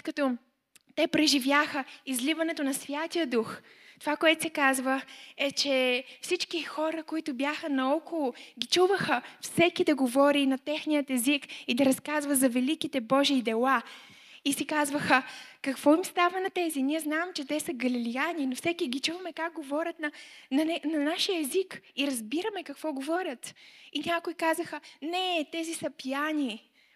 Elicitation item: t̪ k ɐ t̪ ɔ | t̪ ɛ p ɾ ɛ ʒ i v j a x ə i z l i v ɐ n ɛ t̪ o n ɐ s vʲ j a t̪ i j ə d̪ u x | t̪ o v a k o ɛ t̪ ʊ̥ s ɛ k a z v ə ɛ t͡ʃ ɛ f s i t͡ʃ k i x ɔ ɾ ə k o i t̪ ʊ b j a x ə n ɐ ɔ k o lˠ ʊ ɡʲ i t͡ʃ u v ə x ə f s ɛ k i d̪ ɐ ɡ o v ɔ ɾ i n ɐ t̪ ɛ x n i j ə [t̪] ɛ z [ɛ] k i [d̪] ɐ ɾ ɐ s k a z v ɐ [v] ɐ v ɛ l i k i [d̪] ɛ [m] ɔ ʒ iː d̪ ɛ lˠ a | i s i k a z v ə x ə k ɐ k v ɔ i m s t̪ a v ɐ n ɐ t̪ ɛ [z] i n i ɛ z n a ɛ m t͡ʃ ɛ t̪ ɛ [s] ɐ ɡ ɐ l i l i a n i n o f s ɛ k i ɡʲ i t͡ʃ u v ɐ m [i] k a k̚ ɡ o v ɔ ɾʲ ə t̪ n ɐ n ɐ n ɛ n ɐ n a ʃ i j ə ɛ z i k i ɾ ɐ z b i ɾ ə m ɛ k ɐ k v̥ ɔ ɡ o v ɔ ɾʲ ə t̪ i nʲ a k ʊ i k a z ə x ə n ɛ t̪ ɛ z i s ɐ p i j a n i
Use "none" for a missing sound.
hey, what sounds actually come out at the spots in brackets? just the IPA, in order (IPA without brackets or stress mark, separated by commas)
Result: t̪, i, d̪, z, t̪, b, z, s, ɛ